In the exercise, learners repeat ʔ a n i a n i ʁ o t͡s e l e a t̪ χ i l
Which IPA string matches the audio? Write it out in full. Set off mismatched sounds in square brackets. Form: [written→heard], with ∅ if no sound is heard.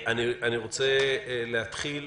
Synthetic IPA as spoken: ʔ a n i a n i ʁ o t͡s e l e a t̪ χ i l